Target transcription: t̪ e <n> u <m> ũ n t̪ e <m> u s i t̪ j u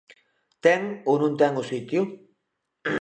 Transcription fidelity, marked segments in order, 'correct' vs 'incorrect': incorrect: ŋ, incorrect: n, incorrect: ŋ

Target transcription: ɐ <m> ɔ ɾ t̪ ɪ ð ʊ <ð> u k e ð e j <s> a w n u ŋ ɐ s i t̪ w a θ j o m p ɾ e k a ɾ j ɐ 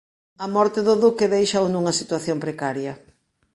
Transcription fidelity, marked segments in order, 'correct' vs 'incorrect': correct, correct, incorrect: ʃ

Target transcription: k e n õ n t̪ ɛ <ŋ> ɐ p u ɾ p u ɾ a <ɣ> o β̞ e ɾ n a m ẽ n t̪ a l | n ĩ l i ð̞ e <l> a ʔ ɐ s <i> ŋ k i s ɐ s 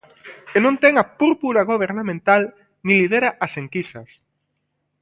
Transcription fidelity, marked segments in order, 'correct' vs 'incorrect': correct, correct, incorrect: ɾ, incorrect: e

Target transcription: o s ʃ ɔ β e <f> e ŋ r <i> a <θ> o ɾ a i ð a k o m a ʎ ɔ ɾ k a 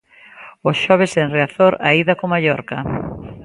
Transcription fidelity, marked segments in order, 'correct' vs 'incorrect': incorrect: s, incorrect: e, correct

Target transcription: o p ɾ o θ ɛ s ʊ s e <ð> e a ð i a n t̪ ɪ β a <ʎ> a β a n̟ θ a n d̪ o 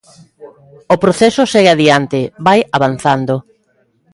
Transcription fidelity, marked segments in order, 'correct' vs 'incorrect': incorrect: ɣ, incorrect: j

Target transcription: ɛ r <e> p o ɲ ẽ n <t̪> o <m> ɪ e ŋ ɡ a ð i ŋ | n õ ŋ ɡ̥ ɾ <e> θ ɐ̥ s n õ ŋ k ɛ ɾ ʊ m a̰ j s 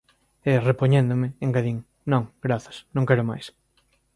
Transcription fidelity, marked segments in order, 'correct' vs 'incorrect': correct, incorrect: d̪, correct, incorrect: a

